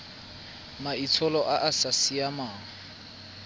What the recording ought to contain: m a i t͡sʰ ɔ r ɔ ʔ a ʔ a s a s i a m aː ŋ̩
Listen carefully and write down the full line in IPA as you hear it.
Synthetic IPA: m a i t͡sʰ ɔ l ɔ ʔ a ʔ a s a s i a m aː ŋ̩